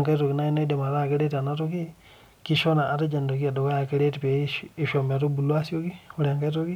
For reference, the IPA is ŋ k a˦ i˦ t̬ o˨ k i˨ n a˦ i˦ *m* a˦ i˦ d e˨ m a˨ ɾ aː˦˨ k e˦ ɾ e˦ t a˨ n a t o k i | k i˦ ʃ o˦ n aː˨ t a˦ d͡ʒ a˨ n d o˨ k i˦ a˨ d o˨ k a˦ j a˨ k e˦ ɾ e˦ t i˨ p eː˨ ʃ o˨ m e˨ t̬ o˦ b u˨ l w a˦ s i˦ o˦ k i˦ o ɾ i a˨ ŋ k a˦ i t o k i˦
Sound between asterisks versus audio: incorrect: n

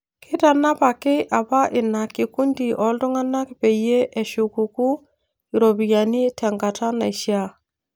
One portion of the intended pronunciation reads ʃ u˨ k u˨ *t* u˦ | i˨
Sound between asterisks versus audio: incorrect: k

